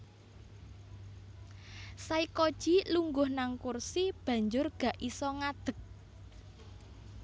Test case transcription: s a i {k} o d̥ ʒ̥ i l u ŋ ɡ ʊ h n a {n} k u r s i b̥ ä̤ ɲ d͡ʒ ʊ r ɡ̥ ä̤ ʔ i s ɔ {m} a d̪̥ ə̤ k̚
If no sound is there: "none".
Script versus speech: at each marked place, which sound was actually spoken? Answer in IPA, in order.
k, ŋ, ŋ

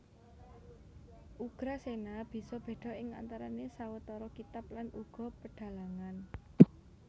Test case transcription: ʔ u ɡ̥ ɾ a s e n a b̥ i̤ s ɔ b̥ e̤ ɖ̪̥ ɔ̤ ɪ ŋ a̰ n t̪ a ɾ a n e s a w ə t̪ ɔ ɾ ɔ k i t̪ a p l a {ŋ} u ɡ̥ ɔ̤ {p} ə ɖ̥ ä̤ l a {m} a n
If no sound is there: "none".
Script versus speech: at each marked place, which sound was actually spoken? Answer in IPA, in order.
n, p, ŋ

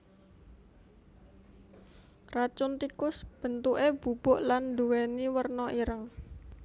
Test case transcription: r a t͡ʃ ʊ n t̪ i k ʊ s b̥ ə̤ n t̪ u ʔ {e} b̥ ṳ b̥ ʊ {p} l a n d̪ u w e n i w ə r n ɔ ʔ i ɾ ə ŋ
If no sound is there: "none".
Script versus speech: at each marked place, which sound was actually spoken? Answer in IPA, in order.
e, ʔ

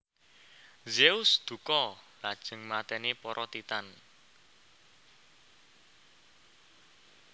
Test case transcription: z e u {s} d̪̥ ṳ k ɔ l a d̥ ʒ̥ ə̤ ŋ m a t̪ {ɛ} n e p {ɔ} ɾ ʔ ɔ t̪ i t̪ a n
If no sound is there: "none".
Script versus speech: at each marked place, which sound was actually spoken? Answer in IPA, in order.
s, ɛ, ɔ

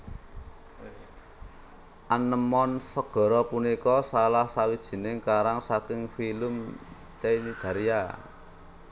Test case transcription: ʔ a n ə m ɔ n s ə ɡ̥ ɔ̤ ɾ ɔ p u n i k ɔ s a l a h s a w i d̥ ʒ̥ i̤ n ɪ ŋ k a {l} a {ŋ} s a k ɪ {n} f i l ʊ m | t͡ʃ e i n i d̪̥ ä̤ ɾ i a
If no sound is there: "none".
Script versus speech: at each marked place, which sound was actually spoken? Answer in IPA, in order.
ɾ, ŋ, ŋ

